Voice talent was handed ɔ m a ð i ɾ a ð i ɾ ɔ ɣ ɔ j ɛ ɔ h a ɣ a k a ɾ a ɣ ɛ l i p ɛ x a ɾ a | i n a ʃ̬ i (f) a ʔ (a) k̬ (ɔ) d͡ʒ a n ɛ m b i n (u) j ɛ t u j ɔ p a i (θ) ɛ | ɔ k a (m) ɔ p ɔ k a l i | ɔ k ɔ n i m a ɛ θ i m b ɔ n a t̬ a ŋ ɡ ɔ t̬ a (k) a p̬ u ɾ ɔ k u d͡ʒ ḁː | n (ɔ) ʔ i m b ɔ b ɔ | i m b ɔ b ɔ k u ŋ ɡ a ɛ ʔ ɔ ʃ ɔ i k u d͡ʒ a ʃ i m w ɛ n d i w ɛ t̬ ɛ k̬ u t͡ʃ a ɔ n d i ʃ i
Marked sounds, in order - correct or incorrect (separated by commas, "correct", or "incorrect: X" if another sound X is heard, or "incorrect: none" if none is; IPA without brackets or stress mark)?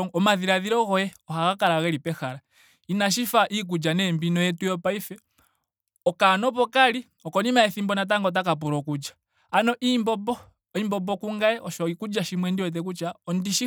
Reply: correct, incorrect: i, incorrect: u, incorrect: ɔ, incorrect: f, incorrect: n, correct, correct